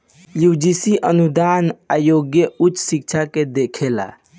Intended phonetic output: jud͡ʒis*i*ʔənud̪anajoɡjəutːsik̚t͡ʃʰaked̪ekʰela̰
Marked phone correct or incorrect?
correct